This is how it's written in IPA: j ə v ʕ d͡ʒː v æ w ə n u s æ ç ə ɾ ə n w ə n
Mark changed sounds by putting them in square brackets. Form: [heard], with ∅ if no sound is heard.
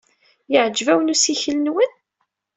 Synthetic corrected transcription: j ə [∅] ʕ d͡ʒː v æ w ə n u s [i] ç ə [l] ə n w ə n